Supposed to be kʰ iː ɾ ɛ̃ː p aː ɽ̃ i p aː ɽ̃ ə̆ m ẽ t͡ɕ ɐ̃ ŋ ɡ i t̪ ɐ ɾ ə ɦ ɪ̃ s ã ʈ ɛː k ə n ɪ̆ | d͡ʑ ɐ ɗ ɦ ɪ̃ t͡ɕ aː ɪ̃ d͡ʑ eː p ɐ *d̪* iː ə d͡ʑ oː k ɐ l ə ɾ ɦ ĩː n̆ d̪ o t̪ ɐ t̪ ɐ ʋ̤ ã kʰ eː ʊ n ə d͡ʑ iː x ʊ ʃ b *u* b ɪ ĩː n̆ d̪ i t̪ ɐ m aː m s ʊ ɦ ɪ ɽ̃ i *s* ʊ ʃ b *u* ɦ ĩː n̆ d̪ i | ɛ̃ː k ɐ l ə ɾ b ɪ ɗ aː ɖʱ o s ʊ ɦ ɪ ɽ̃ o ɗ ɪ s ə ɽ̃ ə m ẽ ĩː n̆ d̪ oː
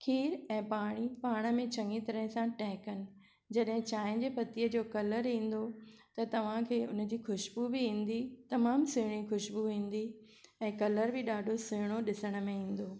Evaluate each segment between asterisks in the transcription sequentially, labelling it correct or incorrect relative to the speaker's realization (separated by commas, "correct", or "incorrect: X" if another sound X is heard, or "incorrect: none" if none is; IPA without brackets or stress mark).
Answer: incorrect: t̪, correct, incorrect: x, correct